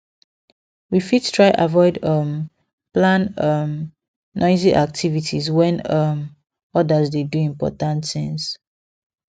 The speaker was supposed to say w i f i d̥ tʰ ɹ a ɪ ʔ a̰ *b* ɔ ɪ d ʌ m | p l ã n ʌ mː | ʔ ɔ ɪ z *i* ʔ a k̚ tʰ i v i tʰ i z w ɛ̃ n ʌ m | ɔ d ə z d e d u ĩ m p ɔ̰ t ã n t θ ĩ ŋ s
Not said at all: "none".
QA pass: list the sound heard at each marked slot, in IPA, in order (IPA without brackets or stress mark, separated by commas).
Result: v, i